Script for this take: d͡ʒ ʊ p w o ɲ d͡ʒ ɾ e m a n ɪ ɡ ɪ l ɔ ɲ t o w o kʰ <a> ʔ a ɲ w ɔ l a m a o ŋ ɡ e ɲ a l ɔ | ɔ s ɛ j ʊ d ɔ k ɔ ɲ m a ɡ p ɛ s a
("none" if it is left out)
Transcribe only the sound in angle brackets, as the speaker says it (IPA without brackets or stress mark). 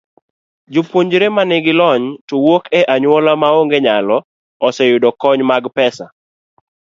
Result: ɛ